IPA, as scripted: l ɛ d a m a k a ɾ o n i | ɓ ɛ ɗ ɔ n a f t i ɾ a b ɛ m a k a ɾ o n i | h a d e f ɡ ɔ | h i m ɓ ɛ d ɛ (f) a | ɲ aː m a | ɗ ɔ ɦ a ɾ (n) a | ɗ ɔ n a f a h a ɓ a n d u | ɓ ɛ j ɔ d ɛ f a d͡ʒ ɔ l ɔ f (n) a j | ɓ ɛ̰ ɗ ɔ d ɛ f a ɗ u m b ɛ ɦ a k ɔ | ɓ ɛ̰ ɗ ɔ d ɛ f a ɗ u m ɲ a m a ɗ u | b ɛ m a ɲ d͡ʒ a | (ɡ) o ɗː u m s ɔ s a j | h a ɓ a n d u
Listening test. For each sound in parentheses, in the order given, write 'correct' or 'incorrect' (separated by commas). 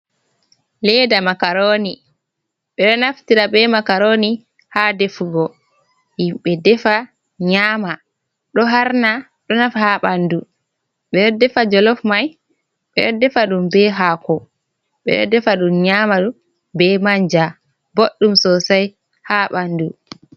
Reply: correct, correct, incorrect, incorrect